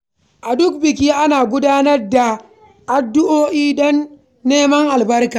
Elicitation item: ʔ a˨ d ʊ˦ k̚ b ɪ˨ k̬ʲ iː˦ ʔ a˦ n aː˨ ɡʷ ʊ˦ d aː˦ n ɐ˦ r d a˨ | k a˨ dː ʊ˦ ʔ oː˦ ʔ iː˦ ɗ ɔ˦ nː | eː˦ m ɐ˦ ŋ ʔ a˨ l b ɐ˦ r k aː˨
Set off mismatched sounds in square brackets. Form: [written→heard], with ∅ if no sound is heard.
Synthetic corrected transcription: ʔ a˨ d ʊ˦ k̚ b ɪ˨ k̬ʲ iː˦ ʔ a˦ n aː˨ ɡʷ ʊ˦ d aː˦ n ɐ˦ r d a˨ | [k→ʔ] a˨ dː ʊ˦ ʔ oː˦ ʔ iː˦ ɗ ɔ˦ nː | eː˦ m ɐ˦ ŋ ʔ a˨ l b ɐ˦ r k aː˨